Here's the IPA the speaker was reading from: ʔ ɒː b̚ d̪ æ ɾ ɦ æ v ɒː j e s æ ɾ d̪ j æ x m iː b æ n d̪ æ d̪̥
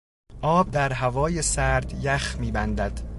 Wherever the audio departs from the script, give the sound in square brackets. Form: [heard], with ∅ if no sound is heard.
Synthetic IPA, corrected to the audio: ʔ ɒː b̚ d̪ æ ɾ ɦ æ v ɒː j e s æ ɾ d̪ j æ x m iː b æ n d̪ æ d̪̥

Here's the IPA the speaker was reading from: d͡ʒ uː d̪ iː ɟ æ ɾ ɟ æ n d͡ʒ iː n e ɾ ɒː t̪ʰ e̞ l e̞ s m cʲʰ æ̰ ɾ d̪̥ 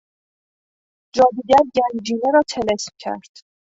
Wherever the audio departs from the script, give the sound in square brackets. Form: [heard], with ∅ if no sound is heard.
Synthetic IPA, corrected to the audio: d͡ʒ [ɒː] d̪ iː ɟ æ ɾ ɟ æ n d͡ʒ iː n e ɾ ɒː t̪ʰ e̞ l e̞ s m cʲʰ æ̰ ɾ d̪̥

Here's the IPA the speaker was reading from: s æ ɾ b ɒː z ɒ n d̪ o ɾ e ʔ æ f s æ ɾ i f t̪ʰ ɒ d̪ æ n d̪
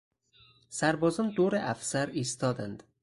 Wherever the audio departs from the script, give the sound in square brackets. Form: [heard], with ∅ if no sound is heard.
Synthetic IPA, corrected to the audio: s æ ɾ b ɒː z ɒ n d̪ o ɾ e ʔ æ f s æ ɾ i [s] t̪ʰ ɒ d̪ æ n d̪

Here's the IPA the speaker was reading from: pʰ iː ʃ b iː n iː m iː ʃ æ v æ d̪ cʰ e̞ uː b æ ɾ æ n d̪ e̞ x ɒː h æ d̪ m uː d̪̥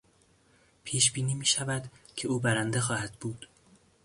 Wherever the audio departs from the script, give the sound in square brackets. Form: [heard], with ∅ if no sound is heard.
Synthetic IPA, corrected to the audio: pʰ iː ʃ b iː n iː m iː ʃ æ v æ d̪ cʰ e̞ uː b æ ɾ æ n d̪ e̞ x ɒː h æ d̪ [b] uː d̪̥

